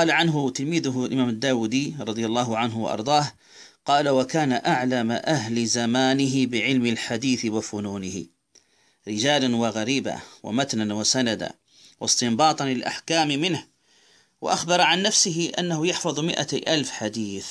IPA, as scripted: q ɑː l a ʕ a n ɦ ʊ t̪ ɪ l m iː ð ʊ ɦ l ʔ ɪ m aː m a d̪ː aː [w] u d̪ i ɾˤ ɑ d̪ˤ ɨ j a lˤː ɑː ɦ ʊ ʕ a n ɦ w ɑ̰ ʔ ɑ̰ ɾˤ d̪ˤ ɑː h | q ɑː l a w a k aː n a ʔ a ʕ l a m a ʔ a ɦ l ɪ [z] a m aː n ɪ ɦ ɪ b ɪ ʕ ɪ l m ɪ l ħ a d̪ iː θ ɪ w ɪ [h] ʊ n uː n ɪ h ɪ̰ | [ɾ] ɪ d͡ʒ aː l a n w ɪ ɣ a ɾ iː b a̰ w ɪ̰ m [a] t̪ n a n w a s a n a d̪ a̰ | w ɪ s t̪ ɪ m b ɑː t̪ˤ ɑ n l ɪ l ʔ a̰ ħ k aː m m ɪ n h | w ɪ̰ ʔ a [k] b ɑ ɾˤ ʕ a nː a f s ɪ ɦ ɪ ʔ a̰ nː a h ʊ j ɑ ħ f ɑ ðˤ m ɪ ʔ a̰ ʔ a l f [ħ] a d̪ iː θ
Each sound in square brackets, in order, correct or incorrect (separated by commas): correct, correct, incorrect, correct, correct, incorrect, correct